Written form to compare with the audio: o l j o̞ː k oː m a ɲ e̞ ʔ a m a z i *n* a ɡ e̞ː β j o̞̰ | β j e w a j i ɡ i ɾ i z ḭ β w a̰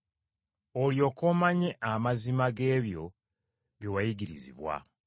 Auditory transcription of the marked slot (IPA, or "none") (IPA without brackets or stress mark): m